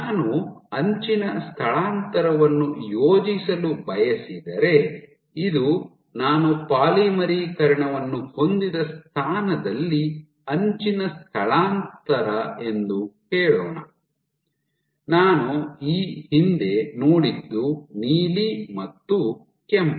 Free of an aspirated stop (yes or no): no